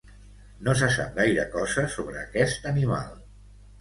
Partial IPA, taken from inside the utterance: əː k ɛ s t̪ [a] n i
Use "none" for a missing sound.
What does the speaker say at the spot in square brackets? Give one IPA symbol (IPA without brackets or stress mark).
ə